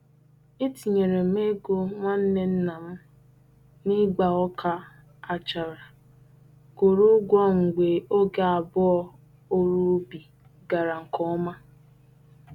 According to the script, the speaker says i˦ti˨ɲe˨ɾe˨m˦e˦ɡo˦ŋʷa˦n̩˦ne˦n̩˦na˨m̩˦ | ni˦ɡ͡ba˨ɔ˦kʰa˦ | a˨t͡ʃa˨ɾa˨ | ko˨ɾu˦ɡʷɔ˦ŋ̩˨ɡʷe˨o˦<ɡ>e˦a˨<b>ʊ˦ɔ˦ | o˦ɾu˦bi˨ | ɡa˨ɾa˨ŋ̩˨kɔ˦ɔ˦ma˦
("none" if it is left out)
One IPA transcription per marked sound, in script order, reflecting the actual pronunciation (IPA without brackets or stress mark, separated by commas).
ɡ, b